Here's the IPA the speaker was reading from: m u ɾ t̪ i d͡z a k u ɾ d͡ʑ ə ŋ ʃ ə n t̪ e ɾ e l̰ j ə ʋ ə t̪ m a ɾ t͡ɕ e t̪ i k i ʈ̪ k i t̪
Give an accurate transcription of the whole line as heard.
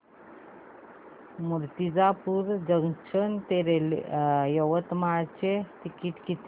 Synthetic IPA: m u ɾ t̪ i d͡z a p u ɾ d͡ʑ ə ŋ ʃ ə n t̪ e ɾ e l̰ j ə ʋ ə t̪ m a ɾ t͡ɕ e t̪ i k i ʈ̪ k i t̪